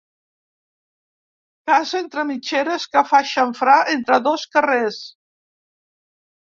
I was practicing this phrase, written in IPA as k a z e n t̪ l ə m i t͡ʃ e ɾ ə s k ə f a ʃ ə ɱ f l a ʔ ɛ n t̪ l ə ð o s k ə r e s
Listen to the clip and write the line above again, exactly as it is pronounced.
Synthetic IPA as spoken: k a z e n t̪ ɾ ə m i t͡ʃ e ɾ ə s k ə f a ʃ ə ɱ f ɾ a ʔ e n t̪ ɾ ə ð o s k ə r e s